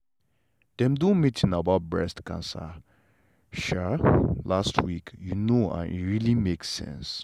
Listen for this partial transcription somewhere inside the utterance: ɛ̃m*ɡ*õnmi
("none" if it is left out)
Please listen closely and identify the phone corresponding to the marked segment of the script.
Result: d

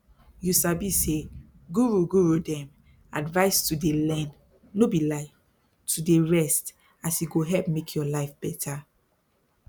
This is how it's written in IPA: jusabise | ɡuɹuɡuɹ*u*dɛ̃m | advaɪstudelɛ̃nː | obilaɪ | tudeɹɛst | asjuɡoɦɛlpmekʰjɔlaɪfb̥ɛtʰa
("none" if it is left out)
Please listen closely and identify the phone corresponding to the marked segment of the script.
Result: u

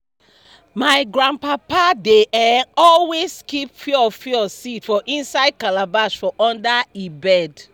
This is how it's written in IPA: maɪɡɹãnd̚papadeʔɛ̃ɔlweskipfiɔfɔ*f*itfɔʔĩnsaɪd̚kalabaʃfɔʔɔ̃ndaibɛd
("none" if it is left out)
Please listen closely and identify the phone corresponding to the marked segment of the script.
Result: s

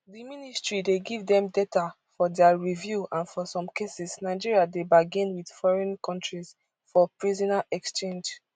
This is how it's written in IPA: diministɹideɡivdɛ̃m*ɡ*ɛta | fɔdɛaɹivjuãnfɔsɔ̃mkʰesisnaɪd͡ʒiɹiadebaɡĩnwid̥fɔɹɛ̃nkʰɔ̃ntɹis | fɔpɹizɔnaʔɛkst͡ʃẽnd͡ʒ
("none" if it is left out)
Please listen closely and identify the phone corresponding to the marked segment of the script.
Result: d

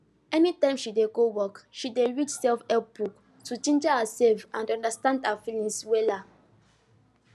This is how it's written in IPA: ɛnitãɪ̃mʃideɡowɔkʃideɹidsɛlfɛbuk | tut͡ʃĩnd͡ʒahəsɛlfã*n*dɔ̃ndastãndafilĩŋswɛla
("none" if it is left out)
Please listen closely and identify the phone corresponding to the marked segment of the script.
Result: n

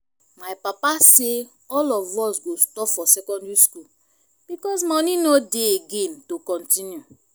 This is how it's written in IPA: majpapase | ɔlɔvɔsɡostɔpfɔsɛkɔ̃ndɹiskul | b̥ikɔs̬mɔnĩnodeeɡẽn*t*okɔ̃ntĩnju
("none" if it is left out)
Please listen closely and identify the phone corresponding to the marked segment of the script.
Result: t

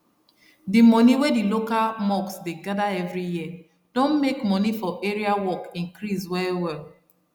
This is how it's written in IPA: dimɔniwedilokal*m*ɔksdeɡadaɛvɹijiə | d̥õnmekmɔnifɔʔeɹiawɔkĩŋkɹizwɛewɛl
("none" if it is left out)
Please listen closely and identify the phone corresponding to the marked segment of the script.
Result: m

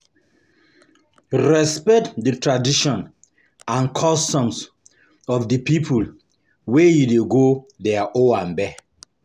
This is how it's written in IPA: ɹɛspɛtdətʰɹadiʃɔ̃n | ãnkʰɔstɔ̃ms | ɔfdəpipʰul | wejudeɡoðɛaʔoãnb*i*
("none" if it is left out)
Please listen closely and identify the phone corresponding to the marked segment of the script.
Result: ɛ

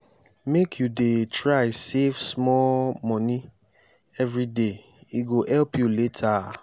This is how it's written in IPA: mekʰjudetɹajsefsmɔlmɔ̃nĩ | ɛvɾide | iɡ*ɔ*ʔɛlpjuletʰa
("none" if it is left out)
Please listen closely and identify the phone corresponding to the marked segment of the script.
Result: o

